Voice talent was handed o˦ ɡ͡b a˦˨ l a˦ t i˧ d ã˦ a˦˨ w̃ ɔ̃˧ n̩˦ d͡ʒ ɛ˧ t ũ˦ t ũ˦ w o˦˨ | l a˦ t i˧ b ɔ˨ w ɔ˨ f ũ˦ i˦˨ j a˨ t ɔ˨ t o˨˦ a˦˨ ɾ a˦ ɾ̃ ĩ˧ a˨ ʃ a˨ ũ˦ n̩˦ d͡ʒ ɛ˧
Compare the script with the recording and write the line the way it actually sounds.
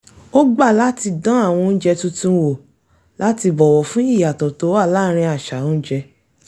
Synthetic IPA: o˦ ɡ͡b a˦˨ l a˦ t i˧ d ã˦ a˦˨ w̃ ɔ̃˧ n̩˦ d͡ʒ ɛ˧ t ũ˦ t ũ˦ w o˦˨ | l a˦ t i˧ b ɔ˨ w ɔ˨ f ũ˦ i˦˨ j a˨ t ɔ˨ t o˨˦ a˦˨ l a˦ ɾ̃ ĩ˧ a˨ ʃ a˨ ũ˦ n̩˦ d͡ʒ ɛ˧